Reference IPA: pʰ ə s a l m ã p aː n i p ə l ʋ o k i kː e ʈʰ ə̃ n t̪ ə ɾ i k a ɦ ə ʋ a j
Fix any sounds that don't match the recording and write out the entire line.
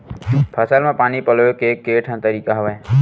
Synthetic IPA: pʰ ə s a l m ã p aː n i p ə l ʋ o k e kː e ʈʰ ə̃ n t̪ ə ɾ i k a ɦ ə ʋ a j